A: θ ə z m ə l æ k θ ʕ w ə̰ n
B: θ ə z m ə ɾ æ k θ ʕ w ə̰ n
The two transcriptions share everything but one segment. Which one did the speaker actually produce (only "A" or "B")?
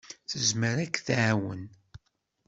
B